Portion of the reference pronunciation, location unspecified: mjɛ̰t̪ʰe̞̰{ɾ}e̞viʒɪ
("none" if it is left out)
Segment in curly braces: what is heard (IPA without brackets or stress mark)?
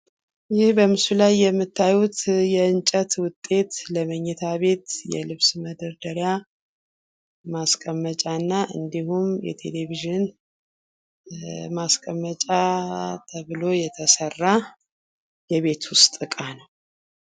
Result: l